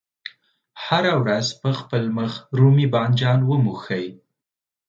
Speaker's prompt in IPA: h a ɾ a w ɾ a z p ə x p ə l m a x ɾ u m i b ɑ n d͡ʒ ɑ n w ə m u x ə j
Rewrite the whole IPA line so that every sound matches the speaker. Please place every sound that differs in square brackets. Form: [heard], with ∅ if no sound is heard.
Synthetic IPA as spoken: h a ɾ a w ɾ a z p ə x p ə l m [ə] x ɾ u m i b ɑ n d͡ʒ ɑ n w ə m u x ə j